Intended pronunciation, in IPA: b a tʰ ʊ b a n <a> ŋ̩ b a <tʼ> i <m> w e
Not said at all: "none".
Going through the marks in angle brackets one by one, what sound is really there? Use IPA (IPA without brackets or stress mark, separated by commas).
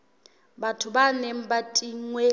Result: e, tʼ, ŋ